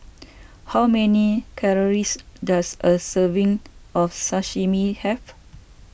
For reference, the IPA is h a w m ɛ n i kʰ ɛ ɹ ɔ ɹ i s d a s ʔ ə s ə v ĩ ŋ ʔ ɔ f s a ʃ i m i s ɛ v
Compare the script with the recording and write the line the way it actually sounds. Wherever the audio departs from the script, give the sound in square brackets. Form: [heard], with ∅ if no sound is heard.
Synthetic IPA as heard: h a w m ɛ n i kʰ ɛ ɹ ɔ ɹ i s d a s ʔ ə s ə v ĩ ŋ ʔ ɔ f s a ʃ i m i [h] ɛ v

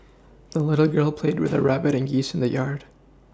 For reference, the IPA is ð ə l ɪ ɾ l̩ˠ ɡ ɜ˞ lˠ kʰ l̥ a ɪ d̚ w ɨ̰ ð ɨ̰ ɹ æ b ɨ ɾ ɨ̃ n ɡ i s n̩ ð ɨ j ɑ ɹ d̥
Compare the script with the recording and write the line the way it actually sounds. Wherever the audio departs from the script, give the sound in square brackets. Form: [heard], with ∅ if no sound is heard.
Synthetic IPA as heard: ð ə l ɪ ɾ l̩ˠ ɡ ɜ˞ lˠ [pʰ] l̥ [e] ɪ d̚ w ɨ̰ ð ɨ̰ ɹ æ b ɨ ɾ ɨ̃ n ɡ i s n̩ ð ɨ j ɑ ɹ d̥

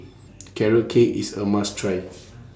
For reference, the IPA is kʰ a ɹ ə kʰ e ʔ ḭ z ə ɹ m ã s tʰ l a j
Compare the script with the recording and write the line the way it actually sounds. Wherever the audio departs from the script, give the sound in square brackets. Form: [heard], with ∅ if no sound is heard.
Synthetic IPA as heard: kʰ [ɛ] ɹ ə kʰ e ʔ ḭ [s] ə [∅] m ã s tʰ [ɹ] a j

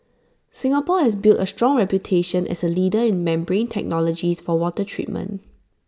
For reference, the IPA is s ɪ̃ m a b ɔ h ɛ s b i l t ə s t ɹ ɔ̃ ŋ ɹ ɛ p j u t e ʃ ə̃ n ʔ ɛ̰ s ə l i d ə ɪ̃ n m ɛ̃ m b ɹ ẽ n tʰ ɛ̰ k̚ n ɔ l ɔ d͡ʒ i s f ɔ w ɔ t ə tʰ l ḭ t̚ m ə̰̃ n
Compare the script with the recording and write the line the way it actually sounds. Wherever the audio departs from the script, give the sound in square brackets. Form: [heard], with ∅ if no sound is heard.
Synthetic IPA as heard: s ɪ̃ [ŋ] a [p] ɔ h ɛ s b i l t ə s t ɹ ɔ̃ ŋ ɹ ɛ p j u [tʰ] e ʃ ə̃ n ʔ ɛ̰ s ə l i d ə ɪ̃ n m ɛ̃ m b ɹ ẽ n tʰ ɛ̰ k̚ n ɔ l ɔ d͡ʒ i s f ɔ w ɔ t ə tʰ [ɹ] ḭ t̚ m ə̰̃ n

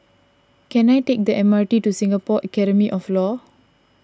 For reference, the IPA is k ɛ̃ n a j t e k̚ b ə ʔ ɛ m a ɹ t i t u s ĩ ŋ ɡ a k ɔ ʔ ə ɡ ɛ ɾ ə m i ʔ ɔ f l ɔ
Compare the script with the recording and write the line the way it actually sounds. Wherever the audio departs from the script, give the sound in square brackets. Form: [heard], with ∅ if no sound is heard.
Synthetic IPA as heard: k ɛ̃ n a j t e k̚ [d] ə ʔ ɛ m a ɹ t i t u s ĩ ŋ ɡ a [p] ɔ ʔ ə [k] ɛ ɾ ə m i ʔ ɔ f l ɔ

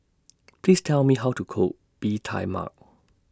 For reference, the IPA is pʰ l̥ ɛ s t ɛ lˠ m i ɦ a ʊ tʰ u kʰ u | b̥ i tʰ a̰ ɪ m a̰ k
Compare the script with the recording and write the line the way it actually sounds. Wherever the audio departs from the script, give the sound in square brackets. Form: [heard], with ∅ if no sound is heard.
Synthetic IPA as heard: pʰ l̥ [i] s [tʰ] ɛ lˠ m i ɦ a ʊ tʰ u kʰ [o] | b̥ i tʰ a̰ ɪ m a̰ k

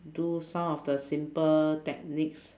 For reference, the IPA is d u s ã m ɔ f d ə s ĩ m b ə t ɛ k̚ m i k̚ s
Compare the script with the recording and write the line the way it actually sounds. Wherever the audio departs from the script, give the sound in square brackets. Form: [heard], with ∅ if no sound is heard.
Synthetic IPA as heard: d u s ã m ɔ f d ə s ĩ m [p] ə t ɛ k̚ [n] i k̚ s

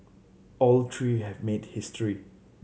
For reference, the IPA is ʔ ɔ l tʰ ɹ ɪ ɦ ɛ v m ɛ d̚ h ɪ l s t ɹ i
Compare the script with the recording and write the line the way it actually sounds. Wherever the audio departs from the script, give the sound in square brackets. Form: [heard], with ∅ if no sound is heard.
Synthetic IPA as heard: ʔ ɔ l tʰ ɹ [i] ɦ ɛ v m [e] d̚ h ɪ [∅] s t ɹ i

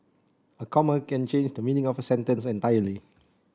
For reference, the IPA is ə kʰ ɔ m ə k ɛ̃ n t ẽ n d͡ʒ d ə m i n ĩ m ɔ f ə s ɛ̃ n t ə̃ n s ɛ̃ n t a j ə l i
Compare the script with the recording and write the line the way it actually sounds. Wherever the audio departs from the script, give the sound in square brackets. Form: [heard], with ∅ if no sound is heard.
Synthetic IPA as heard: ə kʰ ɔ m ə k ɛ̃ n [t͡ʃ] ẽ n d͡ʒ d ə m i n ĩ [ŋ] ɔ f ə s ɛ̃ n t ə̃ n s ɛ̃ n t a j ə l i

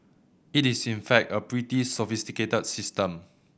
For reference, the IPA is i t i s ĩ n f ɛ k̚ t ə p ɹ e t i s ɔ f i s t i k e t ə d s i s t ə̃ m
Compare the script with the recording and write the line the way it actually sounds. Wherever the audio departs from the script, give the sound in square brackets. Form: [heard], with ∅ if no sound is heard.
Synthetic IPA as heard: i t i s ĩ n f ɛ k̚ t ə p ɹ [i] t i s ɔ f i s t i k e t ə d s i s t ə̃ m

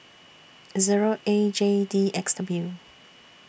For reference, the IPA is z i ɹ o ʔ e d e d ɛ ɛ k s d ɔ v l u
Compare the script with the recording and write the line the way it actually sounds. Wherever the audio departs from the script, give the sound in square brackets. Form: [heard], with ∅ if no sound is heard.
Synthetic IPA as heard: z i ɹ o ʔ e [d͡ʒ] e d [i] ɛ k s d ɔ [b] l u

